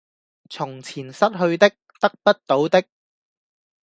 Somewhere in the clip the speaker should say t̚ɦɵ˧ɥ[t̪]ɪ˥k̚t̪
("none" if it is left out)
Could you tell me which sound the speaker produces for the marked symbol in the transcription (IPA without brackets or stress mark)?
t̪